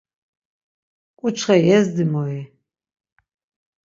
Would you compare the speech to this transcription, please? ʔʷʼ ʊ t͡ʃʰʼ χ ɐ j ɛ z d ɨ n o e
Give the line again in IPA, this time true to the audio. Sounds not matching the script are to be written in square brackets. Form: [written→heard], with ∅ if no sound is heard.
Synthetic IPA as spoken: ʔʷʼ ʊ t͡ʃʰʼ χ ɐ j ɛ z d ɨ [n→m] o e